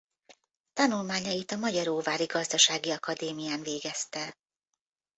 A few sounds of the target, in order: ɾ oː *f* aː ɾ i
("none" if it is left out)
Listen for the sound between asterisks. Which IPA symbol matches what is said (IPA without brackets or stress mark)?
v